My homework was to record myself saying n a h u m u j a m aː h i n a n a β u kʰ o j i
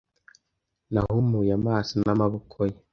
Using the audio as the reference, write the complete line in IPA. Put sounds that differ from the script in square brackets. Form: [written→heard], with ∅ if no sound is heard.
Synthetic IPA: n a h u m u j a m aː [h→s] i n a [n→m] a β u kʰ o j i

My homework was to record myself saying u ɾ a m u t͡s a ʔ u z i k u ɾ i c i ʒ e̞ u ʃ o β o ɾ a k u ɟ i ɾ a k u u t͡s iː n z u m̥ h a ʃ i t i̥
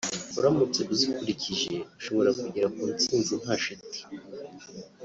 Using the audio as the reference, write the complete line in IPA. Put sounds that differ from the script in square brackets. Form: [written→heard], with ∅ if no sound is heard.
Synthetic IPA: u ɾ a m u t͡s [a→e] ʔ u z i k u ɾ i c i ʒ e̞ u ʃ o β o ɾ a k u ɟ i ɾ a k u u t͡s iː n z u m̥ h a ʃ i t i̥

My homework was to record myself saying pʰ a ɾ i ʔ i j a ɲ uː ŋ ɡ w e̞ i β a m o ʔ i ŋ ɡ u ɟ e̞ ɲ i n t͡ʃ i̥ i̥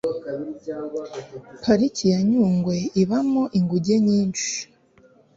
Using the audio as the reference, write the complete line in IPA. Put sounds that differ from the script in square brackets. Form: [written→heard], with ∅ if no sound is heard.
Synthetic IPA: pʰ a ɾ i [ʔ→c] i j a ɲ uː ŋ ɡ w e̞ i β a m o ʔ i ŋ ɡ u ɟ e̞ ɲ [i→iː] n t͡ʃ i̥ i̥

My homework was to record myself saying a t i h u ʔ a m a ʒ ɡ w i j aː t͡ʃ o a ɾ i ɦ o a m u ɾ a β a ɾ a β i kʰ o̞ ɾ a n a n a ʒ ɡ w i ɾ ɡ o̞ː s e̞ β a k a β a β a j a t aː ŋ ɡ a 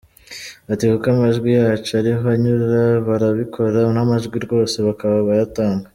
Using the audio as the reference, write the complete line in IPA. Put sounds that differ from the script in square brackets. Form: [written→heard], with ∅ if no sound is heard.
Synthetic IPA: a t i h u [ʔ→k] a m a ʒ ɡ w i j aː t͡ʃ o a ɾ i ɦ o a [m→ɲ] u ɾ a β a ɾ a β i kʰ o̞ ɾ a n a [n→m] a ʒ ɡ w i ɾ ɡ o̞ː s e̞ β a k a β a β a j a t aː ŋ ɡ a

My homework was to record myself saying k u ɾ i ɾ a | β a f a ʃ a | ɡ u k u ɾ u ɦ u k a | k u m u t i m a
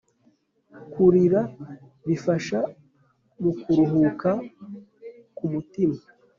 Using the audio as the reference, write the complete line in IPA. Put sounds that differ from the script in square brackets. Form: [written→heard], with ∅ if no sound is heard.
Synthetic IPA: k u ɾ i ɾ a | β [a→i] f a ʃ a | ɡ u k u ɾ u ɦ u k a | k u m u t i m a

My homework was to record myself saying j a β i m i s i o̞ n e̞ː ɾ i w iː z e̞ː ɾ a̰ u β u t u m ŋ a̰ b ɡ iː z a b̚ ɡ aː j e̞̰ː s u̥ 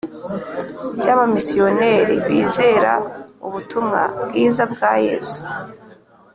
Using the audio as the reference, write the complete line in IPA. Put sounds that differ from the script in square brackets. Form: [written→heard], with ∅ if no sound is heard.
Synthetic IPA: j a β [i→a] m i s i o̞ n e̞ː ɾ i [w→β] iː z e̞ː ɾ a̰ u β u t u m ŋ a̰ b ɡ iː z a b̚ ɡ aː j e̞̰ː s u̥

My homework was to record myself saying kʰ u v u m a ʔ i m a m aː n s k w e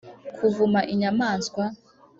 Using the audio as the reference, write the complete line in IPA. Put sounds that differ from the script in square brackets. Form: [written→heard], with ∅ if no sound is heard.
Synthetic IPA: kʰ u v u m a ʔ i [m→ɲ] a m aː n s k w [e→a]

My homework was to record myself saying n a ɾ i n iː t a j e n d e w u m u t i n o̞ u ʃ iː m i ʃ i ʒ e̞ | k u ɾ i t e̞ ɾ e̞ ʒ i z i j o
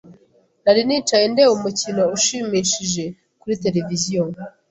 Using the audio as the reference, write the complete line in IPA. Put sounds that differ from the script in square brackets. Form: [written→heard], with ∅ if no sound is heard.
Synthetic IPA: n a ɾ i n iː [t→t͡ʃ] a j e n d e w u m u [t→c] i n o̞ u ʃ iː m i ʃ i ʒ e̞ | k u ɾ i t e̞ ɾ e̞ [ʒ→v] i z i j o

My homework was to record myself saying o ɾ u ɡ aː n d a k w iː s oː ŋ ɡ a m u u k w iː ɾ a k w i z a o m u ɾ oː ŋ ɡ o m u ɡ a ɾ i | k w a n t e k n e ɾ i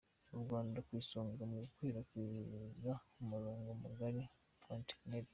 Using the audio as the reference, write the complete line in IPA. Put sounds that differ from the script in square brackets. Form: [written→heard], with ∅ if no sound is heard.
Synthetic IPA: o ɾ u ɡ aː n d a k w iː s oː ŋ ɡ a m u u k w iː ɾ a k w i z a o m u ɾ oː ŋ ɡ o m u ɡ a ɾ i | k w a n t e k n e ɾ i

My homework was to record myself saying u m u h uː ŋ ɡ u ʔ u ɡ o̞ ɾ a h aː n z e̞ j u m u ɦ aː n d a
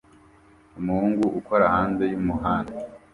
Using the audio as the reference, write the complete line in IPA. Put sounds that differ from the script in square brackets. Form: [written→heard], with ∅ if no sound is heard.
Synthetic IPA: u m u h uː ŋ ɡ u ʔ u [ɡ→k] o̞ ɾ a h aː n z e̞ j u m u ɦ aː n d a

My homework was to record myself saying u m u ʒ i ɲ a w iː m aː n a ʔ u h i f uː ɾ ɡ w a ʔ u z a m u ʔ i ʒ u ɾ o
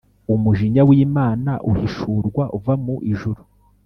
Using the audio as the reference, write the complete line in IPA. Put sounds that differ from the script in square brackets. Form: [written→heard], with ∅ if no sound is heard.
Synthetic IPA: u m u ʒ i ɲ a w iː m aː n a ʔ u h i [f→ʃ] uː ɾ ɡ w a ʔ u [z→v] a m u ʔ i ʒ u ɾ [o→u]

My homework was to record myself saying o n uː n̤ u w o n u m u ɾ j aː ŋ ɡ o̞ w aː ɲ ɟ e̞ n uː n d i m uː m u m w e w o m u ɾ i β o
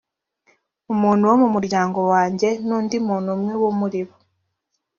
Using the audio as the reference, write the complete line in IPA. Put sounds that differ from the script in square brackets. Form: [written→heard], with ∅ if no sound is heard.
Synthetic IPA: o [n→m] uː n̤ u w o [n→m] u m u ɾ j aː ŋ ɡ o̞ w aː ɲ ɟ e̞ n uː n d i m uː [m→n] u m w e w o m u ɾ i β o

